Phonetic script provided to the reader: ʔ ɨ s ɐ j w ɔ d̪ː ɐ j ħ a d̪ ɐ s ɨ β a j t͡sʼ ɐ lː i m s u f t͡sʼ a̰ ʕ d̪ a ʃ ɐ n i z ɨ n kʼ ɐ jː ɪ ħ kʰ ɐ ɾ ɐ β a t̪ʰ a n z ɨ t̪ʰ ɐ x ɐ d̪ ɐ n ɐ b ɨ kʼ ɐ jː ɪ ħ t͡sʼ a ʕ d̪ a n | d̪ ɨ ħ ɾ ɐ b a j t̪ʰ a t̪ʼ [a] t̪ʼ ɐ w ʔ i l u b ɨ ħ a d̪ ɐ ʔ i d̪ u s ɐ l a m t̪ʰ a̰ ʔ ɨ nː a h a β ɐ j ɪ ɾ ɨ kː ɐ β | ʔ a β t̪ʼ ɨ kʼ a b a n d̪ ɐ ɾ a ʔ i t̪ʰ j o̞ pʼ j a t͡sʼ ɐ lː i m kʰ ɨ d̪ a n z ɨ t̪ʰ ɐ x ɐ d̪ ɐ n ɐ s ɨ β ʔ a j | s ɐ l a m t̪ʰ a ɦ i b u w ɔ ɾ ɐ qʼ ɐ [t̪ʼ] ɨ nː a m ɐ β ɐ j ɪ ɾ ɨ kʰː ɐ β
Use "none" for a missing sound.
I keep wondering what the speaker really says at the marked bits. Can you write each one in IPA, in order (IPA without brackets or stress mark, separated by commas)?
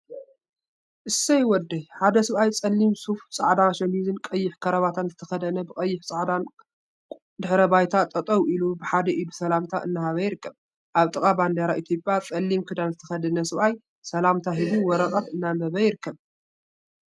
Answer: ɐ, t̪